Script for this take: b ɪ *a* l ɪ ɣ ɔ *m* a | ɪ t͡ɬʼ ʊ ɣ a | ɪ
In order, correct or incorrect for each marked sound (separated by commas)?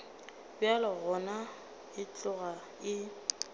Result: correct, incorrect